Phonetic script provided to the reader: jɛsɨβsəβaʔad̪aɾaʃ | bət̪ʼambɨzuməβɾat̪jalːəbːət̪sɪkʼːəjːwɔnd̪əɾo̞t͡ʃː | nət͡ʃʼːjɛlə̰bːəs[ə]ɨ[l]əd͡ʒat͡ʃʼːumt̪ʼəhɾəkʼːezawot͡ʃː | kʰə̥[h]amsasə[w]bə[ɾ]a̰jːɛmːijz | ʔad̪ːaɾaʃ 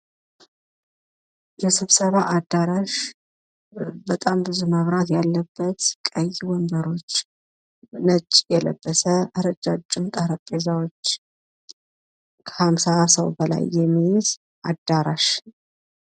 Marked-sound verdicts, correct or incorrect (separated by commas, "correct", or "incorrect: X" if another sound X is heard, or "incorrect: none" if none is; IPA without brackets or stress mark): correct, incorrect: ɾ, correct, correct, incorrect: l